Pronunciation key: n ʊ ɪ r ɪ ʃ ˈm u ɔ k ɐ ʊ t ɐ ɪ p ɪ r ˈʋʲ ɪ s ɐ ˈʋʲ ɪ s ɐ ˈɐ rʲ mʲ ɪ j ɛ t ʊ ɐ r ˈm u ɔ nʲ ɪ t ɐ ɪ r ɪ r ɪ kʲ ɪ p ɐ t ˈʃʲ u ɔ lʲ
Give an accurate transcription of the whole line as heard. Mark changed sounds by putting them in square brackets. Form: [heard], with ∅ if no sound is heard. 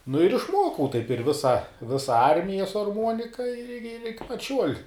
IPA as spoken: n ʊ ɪ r ɪ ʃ ˈm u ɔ k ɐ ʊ t ɐ ɪ p ɪ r ˈʋʲ ɪ s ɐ ˈʋʲ ɪ s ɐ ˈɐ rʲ mʲ ɪ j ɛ [s] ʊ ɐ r ˈm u ɔ nʲ ɪ [k] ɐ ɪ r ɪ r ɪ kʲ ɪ p ɐ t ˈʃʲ u ɔ lʲ